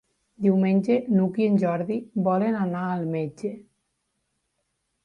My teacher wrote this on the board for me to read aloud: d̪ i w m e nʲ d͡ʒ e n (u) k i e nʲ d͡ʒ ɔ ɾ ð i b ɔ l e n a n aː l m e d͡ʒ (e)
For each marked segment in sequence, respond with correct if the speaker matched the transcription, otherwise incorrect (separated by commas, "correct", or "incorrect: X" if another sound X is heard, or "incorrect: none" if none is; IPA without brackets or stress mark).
correct, correct